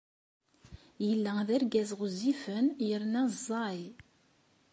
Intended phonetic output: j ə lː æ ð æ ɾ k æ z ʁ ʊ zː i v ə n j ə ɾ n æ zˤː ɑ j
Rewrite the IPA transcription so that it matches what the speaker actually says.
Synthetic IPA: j ə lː æ ð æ ɾ ɡ æ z ʁ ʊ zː i f ə n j ə ɾ n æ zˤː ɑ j